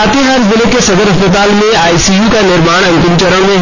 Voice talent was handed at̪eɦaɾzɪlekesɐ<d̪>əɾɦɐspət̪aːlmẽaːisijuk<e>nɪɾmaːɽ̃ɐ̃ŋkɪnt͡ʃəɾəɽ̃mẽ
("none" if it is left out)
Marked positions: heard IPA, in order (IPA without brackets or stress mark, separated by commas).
d̪, a